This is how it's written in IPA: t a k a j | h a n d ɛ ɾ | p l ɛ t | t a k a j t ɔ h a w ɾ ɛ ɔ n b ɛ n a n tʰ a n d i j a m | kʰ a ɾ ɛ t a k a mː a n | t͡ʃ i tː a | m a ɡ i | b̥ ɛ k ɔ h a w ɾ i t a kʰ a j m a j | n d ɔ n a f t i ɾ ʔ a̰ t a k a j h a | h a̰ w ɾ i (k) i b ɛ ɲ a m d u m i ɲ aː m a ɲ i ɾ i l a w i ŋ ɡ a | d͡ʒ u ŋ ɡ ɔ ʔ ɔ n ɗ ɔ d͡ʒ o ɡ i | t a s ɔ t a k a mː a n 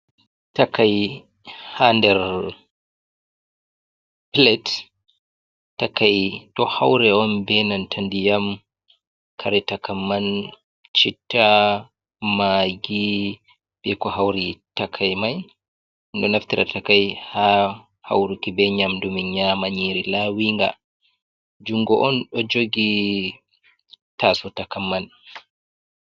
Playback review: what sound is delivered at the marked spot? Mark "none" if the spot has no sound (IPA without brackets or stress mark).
k